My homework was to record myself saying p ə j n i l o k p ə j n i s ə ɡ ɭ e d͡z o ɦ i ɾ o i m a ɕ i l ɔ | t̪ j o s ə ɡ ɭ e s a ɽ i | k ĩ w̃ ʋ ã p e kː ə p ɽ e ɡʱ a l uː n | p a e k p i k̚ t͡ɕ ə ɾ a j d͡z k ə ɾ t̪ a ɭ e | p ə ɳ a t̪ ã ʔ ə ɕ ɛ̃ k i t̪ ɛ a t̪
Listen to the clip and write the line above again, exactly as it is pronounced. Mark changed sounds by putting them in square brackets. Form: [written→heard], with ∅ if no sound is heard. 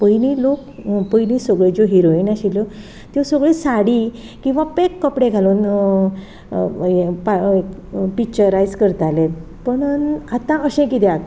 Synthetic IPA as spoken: p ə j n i l o k p ə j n i s ə ɡ ɭ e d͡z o ɦ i ɾ o i [m→n] a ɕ i l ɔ | t̪ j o s ə ɡ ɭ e s a ɽ i | k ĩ w̃ ʋ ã p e kː ə p ɽ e ɡʱ a l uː n | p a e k p i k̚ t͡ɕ ə ɾ a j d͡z k ə ɾ t̪ a [ɭ→l] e | p ə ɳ a t̪ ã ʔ ə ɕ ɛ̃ k i t̪ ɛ a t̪